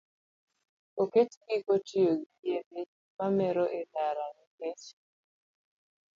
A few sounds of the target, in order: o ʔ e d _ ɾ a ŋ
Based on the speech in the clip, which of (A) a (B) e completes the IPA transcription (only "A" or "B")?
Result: A